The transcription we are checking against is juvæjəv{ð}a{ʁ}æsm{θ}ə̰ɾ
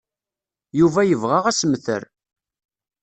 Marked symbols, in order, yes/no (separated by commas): no, yes, yes